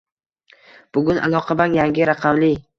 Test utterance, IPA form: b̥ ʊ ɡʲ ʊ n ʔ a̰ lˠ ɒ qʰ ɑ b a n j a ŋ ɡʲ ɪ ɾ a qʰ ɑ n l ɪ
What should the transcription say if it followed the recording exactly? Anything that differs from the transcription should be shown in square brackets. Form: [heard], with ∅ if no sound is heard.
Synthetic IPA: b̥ ʊ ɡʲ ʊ n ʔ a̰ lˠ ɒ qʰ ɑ b a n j a ŋ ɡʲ ɪ ɾ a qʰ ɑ [m] l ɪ